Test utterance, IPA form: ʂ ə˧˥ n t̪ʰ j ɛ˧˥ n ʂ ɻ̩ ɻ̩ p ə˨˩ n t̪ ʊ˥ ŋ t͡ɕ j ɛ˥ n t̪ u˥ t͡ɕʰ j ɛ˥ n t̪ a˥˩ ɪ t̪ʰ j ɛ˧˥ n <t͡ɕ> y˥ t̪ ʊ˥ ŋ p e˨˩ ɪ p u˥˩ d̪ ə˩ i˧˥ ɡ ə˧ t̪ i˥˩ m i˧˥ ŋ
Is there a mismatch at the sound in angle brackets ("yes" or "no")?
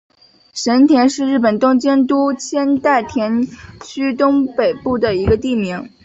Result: yes